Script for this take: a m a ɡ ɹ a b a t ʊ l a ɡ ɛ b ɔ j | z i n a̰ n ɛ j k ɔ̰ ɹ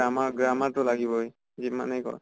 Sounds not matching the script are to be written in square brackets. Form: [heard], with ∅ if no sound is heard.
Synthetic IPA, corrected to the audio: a m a ɡ ɹ a [m] a t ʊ l a ɡ [i] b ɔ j | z i [m] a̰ n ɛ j k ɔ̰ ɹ

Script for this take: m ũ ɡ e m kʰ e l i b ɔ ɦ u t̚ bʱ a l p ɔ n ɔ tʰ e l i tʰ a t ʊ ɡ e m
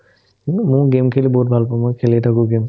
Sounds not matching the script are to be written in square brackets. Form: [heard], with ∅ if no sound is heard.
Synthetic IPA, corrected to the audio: m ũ ɡ e m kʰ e l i b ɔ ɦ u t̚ bʱ a l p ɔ [m] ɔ [kʰ] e l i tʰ a [k] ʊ ɡ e m

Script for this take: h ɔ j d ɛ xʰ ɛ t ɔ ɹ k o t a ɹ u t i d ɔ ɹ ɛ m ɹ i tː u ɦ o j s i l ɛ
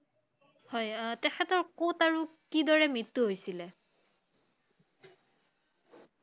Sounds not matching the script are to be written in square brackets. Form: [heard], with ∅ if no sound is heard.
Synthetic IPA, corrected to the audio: h ɔ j [t] ɛ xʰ ɛ t ɔ ɹ k o t a ɹ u [k] i d ɔ ɹ ɛ m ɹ i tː u ɦ o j s i l ɛ

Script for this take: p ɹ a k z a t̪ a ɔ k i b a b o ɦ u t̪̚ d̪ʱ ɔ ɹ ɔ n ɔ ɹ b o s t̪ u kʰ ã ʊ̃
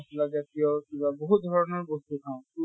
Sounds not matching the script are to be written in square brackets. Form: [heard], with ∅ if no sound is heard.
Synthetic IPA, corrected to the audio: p [l] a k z a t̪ [i] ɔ k i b a b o ɦ u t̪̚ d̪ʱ ɔ ɹ ɔ n ɔ ɹ b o s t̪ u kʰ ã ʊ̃

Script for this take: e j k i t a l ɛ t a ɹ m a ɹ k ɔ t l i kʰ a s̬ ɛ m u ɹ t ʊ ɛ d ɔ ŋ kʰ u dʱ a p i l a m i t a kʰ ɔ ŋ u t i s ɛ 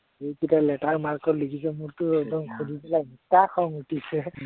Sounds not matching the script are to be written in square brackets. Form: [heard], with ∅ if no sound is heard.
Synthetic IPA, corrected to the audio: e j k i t a l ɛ t a ɹ m a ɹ k ɔ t l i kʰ [i] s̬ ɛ m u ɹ t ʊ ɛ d ɔ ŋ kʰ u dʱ [i] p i l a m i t a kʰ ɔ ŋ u t i s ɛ

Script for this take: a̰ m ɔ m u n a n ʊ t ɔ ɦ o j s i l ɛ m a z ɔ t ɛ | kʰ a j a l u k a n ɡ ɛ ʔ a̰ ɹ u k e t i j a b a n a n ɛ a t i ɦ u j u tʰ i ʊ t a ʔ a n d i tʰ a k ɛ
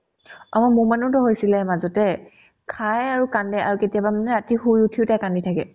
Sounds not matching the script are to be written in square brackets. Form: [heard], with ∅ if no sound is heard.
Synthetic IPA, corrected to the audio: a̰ m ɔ m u [m] a n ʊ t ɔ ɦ o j s i l ɛ m a z ɔ t ɛ | kʰ a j a [ɹ] u k a n [d] ɛ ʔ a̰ ɹ u k e t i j a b a [m] a n ɛ a t i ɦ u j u tʰ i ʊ t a [k] a n d i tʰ a k ɛ

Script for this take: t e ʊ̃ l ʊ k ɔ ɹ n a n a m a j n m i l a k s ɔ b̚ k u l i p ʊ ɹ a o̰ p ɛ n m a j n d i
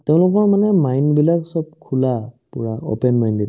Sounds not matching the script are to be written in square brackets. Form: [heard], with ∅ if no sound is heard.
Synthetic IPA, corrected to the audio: t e ʊ̃ l ʊ k ɔ ɹ [m] a n [ɛ] m a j n [b] i l a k s ɔ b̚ [kʰ] u l [a] p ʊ ɹ a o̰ p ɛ n m a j n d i

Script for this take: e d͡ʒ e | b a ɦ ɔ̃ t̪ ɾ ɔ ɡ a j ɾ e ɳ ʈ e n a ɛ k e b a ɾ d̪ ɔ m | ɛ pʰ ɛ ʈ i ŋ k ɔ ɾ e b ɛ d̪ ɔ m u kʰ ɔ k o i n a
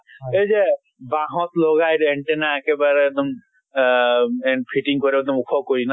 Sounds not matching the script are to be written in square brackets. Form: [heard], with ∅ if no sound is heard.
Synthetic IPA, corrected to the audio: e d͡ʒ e | b a ɦ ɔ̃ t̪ [l] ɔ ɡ a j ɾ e ɳ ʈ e n a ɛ k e b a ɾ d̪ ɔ m | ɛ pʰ [i] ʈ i ŋ k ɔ ɾ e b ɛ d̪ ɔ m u kʰ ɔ k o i n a

